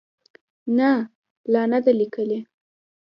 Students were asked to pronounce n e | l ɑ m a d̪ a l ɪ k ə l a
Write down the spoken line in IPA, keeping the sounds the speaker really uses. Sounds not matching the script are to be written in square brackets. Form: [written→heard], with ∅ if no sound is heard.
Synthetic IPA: n [e→a] | l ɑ [m→n] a d̪ a l [ɪ→i] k ə l [a→e]